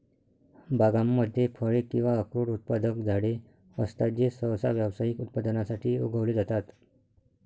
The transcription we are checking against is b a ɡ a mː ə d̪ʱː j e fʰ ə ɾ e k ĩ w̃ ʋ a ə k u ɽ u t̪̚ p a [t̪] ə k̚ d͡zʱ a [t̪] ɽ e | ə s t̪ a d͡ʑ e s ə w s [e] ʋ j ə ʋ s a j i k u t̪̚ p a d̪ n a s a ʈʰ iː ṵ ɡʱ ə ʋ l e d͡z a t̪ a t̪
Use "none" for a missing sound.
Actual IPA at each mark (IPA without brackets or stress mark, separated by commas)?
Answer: d̪, none, a